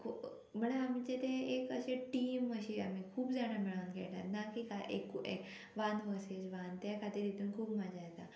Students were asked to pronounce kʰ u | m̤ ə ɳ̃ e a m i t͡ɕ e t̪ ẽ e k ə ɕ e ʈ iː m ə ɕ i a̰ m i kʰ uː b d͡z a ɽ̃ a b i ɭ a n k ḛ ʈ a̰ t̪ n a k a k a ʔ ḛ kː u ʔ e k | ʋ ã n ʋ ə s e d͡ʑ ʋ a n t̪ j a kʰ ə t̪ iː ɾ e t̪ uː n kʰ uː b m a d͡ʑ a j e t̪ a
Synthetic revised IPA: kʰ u | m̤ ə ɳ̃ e a m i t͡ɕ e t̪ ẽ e k ə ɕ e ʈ iː m ə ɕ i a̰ m i kʰ uː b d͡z a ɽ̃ a m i ɭ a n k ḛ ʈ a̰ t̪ n a k i k a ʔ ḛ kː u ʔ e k | ʋ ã n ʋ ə s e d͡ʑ ʋ a n t̪ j a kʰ a t̪ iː ɾ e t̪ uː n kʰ uː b m a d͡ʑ a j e t̪ a